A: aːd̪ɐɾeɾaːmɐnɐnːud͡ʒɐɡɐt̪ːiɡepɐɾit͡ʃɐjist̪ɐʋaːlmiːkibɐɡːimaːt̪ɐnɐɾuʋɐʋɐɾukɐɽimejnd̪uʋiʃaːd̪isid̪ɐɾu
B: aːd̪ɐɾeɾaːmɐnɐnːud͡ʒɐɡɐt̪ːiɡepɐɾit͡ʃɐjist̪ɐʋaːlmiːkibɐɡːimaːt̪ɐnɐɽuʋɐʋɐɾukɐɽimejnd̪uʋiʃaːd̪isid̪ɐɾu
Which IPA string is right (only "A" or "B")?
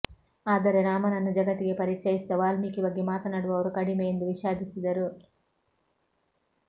B